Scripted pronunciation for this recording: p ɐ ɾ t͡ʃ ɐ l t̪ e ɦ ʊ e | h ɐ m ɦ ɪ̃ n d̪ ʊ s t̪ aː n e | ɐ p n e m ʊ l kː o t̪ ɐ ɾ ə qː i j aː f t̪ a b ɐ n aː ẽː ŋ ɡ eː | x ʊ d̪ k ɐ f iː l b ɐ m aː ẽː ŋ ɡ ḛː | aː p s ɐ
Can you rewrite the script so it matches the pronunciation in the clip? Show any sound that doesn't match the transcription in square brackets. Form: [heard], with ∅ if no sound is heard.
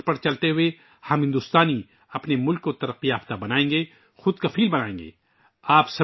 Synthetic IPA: p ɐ ɾ t͡ʃ ɐ l t̪ e ɦ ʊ e | h ɐ m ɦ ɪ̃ n d̪ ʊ s t̪ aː n [i] | ɐ p n e m ʊ l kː o t̪ ɐ ɾ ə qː i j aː f t̪ a b ɐ n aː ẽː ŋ ɡ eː | x ʊ d̪ k ɐ f iː l b ɐ [n] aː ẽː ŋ ɡ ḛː | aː p s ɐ